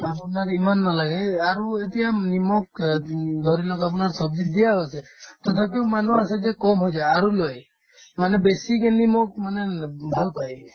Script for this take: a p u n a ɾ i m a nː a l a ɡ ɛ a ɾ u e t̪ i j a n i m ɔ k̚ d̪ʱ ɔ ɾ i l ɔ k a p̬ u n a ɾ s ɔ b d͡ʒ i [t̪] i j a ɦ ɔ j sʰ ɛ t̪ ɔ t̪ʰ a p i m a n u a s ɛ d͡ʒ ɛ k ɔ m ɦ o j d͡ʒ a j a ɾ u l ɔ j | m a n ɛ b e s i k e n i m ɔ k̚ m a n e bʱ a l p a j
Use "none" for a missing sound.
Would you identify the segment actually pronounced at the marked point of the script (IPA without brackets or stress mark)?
d̪